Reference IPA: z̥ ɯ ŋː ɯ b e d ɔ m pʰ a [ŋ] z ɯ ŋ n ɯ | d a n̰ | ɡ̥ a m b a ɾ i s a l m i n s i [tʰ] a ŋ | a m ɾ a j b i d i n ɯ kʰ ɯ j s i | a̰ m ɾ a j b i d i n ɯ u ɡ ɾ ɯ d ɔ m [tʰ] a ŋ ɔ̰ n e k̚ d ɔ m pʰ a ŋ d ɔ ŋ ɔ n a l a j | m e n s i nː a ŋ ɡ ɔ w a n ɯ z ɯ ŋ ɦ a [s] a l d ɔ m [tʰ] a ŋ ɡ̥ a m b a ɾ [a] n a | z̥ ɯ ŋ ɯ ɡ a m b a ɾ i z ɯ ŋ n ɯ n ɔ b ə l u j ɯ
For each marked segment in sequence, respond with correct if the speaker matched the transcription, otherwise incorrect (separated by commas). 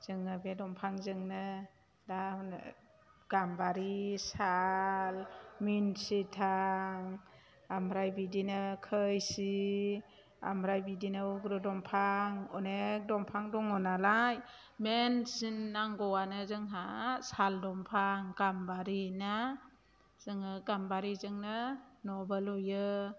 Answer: correct, correct, incorrect, correct, incorrect, incorrect